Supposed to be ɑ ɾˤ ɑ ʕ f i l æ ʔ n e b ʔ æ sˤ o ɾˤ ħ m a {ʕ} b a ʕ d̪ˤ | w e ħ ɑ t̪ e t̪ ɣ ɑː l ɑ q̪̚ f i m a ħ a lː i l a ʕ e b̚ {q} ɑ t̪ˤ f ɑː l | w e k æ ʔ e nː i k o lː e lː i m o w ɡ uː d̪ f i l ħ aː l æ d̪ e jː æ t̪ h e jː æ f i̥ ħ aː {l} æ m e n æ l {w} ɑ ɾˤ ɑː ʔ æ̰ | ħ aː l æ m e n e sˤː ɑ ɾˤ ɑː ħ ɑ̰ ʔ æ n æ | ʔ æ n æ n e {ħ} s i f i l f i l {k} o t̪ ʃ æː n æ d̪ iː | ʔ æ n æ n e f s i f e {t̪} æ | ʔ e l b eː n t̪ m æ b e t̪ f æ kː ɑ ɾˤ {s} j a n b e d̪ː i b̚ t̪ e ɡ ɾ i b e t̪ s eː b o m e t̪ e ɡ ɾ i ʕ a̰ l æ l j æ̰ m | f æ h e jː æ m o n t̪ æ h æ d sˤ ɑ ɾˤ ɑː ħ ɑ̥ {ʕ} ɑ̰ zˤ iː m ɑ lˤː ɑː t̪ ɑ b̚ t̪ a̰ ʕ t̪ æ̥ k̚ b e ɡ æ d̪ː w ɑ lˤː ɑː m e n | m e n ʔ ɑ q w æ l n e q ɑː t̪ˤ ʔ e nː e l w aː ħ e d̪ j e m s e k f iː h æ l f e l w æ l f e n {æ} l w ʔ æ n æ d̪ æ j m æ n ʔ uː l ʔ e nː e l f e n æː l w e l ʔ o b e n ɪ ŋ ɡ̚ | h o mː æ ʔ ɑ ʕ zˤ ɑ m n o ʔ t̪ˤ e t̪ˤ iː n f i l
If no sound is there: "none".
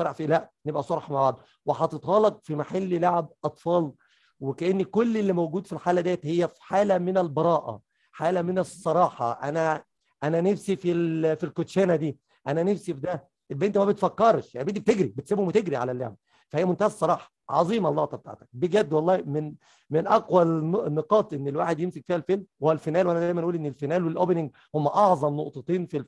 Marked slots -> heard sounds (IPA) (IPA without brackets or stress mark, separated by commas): ʕ, ʔ, l, b, f, k, d̪, ʃ, ʕ, æː